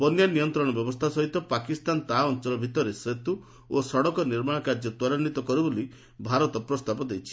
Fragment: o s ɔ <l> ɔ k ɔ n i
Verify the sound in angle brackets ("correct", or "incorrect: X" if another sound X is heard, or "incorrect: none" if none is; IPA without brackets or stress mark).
incorrect: ɽ